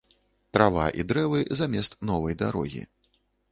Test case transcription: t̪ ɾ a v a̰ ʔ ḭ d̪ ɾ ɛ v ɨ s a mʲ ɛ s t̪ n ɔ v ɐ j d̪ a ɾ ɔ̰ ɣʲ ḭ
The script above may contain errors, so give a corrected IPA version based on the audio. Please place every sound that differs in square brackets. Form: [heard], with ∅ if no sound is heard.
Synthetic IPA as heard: t̪ ɾ a v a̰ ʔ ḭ d̪ ɾ ɛ v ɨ [z] a mʲ ɛ s t̪ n ɔ v ɐ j d̪ a ɾ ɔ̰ ɣʲ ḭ